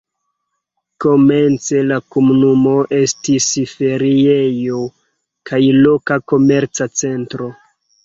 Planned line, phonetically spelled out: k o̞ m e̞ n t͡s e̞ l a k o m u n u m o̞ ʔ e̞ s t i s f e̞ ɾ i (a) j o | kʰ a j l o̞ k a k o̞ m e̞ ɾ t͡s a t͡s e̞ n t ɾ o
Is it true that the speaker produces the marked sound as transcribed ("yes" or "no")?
no